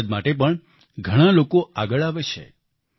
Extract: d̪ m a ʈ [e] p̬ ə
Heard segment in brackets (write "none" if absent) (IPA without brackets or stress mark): e